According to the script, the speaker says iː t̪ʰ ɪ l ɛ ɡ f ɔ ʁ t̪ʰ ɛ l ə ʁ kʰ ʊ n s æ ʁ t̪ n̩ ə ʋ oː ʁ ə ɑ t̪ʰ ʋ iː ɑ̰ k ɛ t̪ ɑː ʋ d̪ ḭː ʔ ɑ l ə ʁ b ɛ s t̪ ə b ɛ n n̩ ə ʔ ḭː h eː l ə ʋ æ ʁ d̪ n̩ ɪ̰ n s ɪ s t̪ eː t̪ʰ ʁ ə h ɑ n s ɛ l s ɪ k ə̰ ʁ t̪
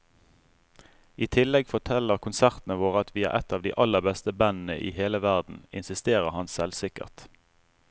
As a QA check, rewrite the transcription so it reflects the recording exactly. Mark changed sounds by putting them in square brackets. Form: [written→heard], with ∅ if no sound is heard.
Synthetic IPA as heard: iː t̪ʰ ɪ l ɛ ɡ f ɔ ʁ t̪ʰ ɛ l ə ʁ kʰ ʊ n s æ ʁ t̪ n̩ ə ʋ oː ʁ ə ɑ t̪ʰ ʋ iː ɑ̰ [k→ʔ] ɛ t̪ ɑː ʋ d̪ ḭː ʔ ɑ l ə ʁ b ɛ s t̪ ə b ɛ n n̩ ə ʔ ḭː h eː l ə ʋ æ ʁ d̪ n̩ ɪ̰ n s ɪ s t̪ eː [t̪ʰ→∅] ʁ ə h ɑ n s ɛ l s ɪ k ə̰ ʁ t̪